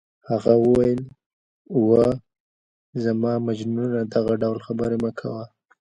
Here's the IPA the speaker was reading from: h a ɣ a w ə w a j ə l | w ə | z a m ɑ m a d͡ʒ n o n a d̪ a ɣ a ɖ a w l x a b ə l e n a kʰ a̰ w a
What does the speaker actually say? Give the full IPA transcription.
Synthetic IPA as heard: h a ɣ a w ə w a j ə l | w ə | z a m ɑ m a d͡ʒ n u n a d̪ a ɣ a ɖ a w l x a b ə ɾ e m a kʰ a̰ w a